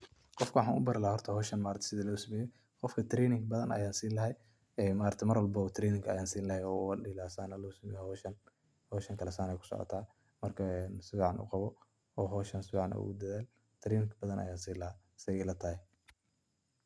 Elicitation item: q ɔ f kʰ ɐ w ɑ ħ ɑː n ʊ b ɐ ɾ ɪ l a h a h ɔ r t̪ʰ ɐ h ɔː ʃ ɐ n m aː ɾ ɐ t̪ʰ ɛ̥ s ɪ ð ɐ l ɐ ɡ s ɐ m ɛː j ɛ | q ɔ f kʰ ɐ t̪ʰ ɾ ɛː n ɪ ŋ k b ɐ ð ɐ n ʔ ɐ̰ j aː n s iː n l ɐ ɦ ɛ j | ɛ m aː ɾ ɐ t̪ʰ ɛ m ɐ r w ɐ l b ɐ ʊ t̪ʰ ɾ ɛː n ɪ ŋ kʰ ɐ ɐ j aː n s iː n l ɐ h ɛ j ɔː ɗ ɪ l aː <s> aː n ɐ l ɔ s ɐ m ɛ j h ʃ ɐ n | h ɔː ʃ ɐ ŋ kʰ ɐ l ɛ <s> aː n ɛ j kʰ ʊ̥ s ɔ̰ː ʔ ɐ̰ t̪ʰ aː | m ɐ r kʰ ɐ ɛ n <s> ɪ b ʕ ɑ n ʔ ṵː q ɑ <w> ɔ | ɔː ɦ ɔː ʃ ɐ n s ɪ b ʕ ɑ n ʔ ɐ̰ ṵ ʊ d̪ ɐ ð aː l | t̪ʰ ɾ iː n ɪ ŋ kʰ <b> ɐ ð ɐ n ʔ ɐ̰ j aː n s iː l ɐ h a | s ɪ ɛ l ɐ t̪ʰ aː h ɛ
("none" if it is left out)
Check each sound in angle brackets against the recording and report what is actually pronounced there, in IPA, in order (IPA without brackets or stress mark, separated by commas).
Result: s, s, s, β, b